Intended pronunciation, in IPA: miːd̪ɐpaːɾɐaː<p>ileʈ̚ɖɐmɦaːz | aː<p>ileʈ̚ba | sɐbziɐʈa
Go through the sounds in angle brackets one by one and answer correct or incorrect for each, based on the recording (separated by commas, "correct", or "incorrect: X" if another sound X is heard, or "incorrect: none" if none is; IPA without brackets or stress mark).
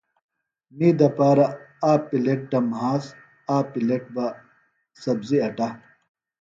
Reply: correct, correct